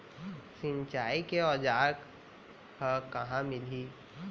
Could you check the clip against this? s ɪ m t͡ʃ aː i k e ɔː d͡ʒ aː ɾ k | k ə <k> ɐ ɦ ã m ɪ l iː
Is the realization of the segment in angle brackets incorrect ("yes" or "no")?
no